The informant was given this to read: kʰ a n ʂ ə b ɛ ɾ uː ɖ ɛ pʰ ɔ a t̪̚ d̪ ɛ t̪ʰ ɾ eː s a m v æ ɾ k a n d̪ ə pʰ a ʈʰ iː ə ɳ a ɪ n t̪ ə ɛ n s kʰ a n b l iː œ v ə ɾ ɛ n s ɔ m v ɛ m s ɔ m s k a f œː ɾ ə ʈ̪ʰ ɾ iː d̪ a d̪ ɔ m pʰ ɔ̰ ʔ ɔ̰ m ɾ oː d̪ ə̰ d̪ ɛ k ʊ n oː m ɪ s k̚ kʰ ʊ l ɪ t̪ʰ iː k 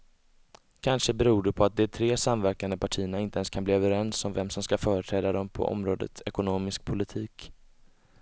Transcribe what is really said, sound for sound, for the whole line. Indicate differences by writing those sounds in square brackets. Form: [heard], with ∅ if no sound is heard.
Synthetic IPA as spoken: kʰ a n ʂ ə b ɛ ɾ uː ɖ ɛ pʰ ɔ a t̪̚ d̪ ɛ t̪ʰ ɾ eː s a m v æ ɾ k a n d̪ ə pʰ a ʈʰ iː ə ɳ a ɪ n t̪ ə ɛ n s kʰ a n b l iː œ v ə ɾ ɛ n s ɔ m v ɛ m s ɔ m s k a f œː ɾ ə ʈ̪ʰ ɾ [ɛː] d̪ a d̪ ɔ m pʰ ɔ̰ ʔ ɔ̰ m ɾ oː d̪ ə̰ [t̪] ɛ k ʊ n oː m ɪ s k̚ [pʰ] ʊ l ɪ t̪ʰ iː k

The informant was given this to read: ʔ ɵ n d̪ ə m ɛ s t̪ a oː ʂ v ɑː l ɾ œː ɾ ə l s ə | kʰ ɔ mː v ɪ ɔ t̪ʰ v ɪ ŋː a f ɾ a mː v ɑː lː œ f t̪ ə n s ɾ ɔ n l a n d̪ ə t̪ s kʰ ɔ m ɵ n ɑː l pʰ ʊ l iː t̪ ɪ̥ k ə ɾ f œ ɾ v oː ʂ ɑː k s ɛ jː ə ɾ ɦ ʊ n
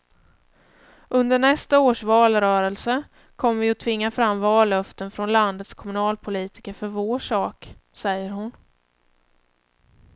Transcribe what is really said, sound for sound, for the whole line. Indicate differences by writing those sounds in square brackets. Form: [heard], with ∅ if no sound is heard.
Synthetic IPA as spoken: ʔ ɵ n d̪ ə [ɳ] ɛ s t̪ a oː ʂ v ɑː l ɾ œː ɾ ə l s ə | kʰ ɔ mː v ɪ ɔ t̪ʰ v ɪ ŋː a f ɾ a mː v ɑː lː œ f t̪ ə n [f] ɾ ɔ n l a n d̪ ə t̪ s kʰ ɔ m ɵ n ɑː l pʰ ʊ l iː t̪ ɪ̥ k ə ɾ f œ ɾ v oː ʂ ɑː k s ɛ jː ə ɾ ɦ ʊ n

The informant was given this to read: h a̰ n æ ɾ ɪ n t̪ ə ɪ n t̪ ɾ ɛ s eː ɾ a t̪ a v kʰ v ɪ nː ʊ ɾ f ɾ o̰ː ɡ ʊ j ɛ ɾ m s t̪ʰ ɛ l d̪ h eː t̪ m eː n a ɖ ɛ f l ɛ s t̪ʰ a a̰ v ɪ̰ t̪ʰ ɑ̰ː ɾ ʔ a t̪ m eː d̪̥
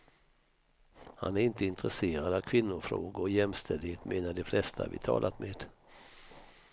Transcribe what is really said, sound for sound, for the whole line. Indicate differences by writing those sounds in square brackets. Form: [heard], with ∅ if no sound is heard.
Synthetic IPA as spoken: h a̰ n æ ɾ ɪ n t̪ ə ɪ n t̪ ɾ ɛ s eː ɾ a [d̪] a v kʰ v ɪ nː ʊ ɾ f ɾ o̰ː ɡ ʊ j ɛ [∅] m s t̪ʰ ɛ l d̪ h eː t̪ m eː n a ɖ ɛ f l ɛ s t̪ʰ a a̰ v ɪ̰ t̪ʰ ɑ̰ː [l] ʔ a t̪ m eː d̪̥

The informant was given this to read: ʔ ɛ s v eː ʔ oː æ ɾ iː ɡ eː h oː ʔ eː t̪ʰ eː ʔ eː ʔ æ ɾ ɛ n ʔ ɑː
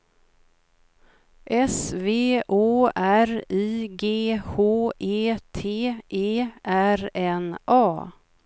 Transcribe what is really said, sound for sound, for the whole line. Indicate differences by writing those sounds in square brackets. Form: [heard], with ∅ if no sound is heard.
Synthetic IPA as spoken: ʔ ɛ s v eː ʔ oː æ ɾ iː ɡ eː h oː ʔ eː t̪ʰ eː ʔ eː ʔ æ ɾ ɛ n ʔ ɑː

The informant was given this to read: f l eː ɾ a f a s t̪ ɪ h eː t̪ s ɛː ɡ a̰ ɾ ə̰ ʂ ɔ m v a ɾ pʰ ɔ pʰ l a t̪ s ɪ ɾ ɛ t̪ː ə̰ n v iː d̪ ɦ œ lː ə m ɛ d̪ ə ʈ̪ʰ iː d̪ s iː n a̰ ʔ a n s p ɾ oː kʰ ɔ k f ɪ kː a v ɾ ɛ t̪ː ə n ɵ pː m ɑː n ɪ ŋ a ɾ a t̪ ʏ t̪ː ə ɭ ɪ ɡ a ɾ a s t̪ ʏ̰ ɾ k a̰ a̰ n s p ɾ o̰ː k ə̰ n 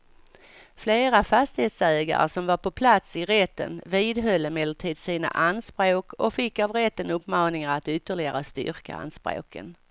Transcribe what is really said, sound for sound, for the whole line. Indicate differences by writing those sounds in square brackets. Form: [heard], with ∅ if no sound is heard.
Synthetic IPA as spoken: f l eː ɾ a f a s t̪ ɪ h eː t̪ s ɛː ɡ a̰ ɾ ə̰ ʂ ɔ m v a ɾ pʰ ɔ pʰ l a t̪ s ɪ ɾ ɛ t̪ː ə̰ n v iː d̪ ɦ œ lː ə m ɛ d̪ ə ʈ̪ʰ iː d̪ s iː n a̰ ʔ a n s p ɾ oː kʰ ɔ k f ɪ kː a v ɾ ɛ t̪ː ə n ɵ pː m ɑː n ɪ ŋ a ɾ a t̪ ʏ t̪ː ə ɭ ɪ ɡ a ɾ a s t̪ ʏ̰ ɾ k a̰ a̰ n s p ɾ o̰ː k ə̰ n

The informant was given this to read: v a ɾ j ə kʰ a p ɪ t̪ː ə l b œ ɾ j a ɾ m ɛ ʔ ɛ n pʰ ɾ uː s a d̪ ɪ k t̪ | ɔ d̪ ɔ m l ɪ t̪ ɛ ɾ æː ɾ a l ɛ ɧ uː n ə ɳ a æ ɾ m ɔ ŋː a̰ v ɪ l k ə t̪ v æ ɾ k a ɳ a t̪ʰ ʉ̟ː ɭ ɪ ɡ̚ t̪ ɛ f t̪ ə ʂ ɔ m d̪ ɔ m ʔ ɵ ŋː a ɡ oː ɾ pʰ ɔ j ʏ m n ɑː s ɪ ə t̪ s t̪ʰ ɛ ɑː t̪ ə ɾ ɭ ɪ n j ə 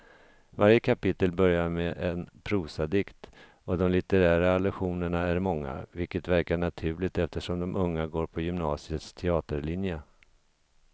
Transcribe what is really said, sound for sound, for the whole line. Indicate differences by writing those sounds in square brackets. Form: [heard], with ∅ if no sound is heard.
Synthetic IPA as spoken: v a ɾ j ə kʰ a p ɪ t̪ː ə l b œ ɾ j a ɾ m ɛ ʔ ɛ n pʰ ɾ uː s a d̪ ɪ k t̪ | ɔ d̪ ɔ m l ɪ t̪ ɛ ɾ æː ɾ a l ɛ ɧ uː n ə ɳ a æ ɾ m ɔ ŋː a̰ v ɪ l k ə t̪ v æ ɾ k a ɳ a t̪ʰ ʉ̟ː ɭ ɪ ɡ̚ t̪ ɛ f t̪ ə ʂ ɔ m d̪ ɔ m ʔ ɵ ŋː a ɡ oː ɾ pʰ ɔ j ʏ m n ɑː s ɪ ə t̪ s t̪ʰ ɛ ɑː t̪ ə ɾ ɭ ɪ n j ə

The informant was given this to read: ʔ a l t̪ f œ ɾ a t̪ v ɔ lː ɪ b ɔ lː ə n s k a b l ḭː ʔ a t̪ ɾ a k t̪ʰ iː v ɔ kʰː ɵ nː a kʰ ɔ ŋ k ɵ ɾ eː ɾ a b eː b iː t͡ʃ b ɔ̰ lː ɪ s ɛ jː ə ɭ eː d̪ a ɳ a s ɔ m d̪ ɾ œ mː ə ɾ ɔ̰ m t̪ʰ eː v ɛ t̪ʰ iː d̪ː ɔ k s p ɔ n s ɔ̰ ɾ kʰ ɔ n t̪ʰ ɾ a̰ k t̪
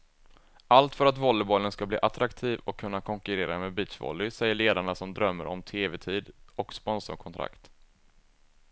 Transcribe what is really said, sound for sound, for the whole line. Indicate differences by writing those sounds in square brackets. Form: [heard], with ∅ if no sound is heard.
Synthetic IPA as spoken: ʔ a l t̪ f œ ɾ a t̪ v ɔ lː ɪ b ɔ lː ə n s k a b l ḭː ʔ a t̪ ɾ a k t̪ʰ iː v ɔ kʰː ɵ nː a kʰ ɔ ŋ k ɵ ɾ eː ɾ a [m] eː b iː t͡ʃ [v] ɔ̰ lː ɪ s ɛ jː ə ɭ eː d̪ a ɳ a s ɔ m d̪ ɾ œ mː ə ɾ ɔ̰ m t̪ʰ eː v ɛ t̪ʰ iː [d̪] ɔ k s p ɔ n s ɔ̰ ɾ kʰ ɔ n t̪ʰ ɾ a̰ k t̪

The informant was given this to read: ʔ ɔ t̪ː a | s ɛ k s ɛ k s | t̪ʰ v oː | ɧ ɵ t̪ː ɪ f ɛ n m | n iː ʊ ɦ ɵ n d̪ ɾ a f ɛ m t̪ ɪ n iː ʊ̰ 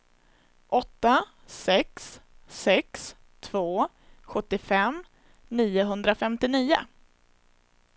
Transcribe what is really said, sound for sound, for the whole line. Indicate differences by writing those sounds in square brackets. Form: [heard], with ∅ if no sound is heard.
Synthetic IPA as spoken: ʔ ɔ t̪ː a | s ɛ k s ɛ k s | t̪ʰ v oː | ɧ ɵ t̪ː ɪ f ɛ [∅] m | n iː ʊ ɦ ɵ n d̪ ɾ a f ɛ m t̪ ɪ n iː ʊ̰

